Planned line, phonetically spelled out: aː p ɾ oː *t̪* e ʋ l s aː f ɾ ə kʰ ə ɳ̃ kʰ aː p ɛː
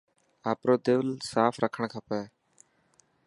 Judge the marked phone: incorrect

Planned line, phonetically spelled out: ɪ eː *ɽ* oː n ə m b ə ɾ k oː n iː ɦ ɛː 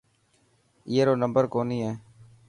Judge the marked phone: incorrect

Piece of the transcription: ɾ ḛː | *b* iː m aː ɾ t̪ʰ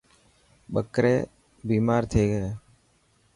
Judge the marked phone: correct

